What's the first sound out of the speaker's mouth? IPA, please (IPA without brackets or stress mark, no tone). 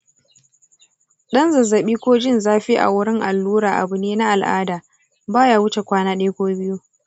ɗ